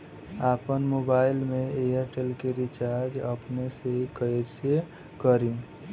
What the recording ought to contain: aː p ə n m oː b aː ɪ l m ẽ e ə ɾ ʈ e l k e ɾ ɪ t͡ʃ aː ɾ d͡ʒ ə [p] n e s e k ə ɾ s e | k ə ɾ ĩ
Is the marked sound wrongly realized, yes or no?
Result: no